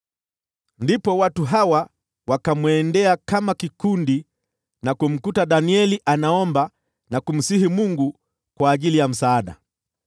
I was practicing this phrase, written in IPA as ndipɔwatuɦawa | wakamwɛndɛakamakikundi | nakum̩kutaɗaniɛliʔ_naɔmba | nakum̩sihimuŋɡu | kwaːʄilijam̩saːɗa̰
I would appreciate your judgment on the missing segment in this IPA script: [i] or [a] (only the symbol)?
a